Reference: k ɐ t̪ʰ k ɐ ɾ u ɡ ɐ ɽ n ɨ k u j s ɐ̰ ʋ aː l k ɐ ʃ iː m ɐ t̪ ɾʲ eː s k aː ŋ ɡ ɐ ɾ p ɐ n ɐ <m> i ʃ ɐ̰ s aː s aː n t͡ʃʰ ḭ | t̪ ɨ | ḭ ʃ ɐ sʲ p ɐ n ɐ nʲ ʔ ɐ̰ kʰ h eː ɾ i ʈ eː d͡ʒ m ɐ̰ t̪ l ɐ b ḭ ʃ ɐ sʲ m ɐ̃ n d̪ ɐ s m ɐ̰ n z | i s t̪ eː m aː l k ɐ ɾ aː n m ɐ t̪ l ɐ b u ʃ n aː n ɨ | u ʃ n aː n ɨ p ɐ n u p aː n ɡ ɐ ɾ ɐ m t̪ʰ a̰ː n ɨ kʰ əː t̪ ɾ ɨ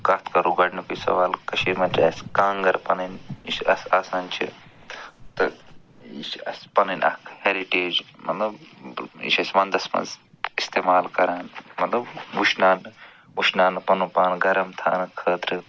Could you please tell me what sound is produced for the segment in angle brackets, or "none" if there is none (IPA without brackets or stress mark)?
n